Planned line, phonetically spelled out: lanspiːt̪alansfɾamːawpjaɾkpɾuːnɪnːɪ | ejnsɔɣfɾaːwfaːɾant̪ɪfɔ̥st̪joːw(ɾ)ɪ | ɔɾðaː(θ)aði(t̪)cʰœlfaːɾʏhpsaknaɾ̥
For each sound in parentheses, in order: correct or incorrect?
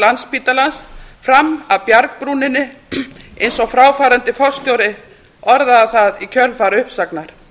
correct, correct, incorrect: none

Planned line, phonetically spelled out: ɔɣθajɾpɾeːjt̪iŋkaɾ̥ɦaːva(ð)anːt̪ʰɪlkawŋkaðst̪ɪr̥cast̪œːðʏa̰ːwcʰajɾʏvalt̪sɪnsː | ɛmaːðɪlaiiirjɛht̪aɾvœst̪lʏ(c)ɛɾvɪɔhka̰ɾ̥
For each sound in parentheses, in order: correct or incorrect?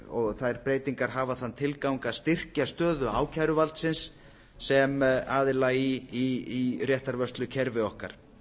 incorrect: θ, incorrect: cʰ

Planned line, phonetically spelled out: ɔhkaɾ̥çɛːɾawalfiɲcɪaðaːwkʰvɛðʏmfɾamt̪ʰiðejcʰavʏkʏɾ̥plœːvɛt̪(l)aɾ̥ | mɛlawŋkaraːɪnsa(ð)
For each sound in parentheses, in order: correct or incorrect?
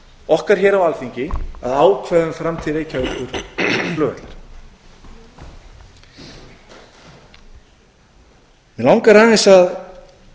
correct, correct

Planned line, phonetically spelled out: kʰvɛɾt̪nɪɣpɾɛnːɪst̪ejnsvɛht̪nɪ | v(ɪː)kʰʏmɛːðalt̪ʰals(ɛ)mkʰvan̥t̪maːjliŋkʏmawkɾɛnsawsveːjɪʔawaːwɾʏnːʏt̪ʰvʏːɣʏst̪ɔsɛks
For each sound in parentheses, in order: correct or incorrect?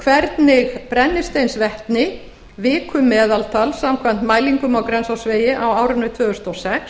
correct, incorrect: a

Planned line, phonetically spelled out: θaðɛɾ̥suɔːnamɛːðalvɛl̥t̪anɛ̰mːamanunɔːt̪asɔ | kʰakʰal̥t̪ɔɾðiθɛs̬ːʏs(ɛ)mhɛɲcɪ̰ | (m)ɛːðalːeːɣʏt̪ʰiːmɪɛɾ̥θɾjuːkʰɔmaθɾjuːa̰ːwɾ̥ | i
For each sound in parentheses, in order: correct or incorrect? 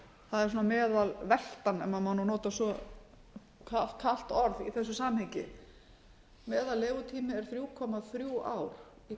incorrect: a, correct

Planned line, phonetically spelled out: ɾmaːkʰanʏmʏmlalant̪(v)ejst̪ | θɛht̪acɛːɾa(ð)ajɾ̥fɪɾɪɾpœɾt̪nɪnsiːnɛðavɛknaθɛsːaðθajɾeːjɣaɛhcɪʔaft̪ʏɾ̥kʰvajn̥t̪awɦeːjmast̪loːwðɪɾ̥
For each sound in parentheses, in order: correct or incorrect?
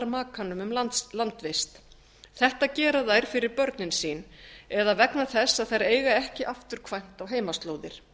correct, correct

